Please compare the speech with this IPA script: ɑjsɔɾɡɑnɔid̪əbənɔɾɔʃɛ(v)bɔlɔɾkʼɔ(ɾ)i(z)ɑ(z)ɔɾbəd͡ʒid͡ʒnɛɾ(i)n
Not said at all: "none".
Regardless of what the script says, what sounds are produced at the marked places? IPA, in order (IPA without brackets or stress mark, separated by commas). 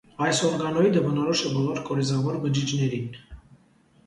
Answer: none, ɾ, z, v, i